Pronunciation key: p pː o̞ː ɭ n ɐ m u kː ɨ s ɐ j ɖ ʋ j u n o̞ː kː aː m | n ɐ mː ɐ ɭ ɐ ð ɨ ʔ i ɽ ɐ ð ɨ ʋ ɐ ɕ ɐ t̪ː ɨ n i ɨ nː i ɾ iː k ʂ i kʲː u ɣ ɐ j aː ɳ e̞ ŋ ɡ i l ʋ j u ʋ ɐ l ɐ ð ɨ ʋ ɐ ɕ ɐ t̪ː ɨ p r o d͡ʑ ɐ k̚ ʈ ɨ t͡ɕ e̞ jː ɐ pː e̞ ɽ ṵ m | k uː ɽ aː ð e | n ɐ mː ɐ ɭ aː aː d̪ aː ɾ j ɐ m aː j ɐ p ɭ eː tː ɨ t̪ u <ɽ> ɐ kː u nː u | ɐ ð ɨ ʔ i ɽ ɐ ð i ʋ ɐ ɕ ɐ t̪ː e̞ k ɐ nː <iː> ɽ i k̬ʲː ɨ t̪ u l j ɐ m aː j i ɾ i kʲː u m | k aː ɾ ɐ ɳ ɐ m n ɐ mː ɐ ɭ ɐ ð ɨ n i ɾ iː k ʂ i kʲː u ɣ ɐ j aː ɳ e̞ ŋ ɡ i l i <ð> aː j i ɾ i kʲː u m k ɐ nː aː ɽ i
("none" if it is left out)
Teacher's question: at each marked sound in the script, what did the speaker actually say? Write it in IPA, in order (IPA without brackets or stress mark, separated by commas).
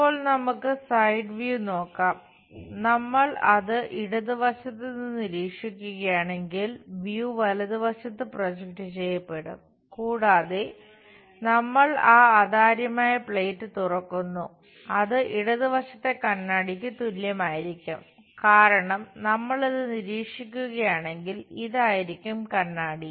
r, aː, ð